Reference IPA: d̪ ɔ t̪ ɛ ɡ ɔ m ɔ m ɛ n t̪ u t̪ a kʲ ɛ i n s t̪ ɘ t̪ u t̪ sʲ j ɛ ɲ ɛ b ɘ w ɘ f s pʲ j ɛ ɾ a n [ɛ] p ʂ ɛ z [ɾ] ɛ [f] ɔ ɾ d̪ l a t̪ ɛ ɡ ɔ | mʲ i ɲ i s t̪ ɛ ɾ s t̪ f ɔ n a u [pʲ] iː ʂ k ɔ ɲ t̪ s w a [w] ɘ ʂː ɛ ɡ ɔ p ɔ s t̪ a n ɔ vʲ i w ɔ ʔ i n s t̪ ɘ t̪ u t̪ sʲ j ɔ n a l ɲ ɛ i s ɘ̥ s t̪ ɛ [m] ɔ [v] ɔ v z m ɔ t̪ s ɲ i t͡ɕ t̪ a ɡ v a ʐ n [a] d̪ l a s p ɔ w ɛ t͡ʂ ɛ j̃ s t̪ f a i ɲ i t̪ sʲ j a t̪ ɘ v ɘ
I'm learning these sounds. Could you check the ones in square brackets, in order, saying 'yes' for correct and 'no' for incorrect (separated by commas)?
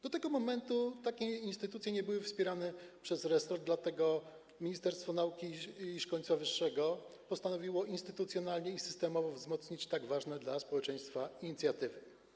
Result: yes, yes, no, no, no, yes, yes, no